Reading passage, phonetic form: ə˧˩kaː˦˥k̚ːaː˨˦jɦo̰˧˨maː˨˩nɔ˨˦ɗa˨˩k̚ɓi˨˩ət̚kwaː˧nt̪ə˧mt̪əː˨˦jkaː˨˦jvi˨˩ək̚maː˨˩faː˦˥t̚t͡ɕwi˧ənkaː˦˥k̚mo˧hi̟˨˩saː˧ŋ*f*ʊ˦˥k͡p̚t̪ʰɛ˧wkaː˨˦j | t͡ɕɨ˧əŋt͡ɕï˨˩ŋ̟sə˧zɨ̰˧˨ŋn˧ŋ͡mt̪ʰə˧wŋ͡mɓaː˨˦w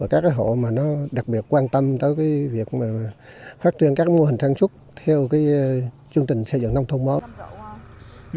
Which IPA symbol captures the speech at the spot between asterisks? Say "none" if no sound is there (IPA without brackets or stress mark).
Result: s